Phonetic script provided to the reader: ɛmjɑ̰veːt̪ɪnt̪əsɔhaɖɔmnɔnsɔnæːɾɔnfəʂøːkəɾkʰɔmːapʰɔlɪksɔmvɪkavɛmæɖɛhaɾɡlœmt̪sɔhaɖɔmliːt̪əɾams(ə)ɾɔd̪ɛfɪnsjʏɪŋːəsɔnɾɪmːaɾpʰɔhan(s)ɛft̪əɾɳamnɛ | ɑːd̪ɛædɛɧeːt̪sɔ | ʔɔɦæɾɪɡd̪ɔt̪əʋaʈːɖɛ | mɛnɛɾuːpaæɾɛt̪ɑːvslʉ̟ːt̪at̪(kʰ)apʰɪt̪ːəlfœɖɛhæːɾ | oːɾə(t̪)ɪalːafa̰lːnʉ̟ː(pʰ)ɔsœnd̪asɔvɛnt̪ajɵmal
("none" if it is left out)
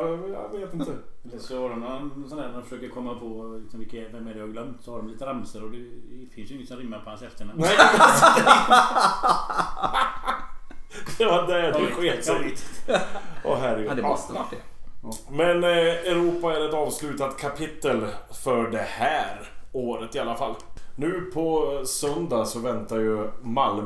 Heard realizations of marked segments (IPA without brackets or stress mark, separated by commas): ə, s, kʰ, t̪, pʰ